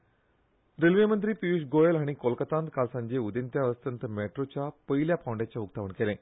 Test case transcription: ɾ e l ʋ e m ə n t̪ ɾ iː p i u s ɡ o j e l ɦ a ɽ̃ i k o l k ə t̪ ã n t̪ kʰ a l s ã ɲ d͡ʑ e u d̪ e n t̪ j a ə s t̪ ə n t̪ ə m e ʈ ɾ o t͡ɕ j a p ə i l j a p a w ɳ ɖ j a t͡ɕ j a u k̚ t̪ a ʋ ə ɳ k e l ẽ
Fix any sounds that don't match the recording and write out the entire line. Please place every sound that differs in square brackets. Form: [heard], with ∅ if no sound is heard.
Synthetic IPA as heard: ɾ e l ʋ e m ə n t̪ ɾ iː p i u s ɡ o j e l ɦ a ɽ̃ i k o l k ə t̪ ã n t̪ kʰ a l s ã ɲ d͡ʑ e u d̪ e n t̪ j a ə s t̪ ə n t̪ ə m e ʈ ɾ o t͡ɕ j a p ə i l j a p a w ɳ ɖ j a t͡ɕ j a u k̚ t̪ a ʋ ə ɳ k e l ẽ